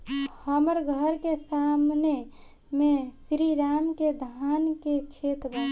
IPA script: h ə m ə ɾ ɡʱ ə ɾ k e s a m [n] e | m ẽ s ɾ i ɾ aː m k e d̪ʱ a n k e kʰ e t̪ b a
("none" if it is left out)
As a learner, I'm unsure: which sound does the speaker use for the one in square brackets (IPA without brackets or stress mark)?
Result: n